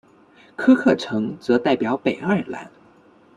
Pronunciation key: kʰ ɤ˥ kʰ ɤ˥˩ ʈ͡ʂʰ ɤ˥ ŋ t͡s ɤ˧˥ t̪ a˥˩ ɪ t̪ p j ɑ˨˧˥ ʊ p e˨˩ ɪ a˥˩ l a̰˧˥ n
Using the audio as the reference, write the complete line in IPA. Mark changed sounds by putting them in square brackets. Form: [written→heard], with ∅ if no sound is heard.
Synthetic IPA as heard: kʰ ɤ˥ kʰ ɤ˥˩ ʈ͡ʂʰ [ɤ˥→ɤ˧˥] ŋ t͡s ɤ˧˥ t̪ a˥˩ ɪ [t̪→∅] p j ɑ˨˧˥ ʊ p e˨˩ ɪ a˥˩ l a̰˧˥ n